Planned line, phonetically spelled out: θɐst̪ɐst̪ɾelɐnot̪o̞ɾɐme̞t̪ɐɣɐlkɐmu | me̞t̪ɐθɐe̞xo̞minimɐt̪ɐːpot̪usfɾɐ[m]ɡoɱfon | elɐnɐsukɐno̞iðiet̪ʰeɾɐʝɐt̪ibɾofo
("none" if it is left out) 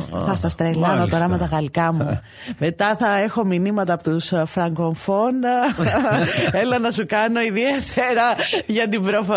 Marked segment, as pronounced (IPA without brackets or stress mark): ŋ